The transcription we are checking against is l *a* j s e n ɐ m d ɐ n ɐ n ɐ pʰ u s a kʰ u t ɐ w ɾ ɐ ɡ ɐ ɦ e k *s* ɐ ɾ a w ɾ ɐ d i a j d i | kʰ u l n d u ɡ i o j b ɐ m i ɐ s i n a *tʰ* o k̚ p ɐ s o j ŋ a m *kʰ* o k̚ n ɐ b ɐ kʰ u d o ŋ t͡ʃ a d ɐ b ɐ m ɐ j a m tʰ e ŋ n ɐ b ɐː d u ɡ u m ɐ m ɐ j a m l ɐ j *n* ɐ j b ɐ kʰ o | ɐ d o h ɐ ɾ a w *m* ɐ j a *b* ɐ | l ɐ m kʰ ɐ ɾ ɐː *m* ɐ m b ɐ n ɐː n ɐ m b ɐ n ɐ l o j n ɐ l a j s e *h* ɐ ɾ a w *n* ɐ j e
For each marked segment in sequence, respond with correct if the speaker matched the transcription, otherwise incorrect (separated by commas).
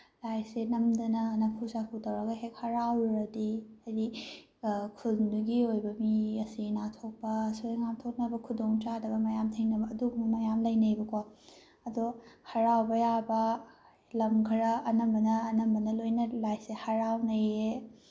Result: correct, incorrect, correct, incorrect, correct, incorrect, correct, incorrect, correct, correct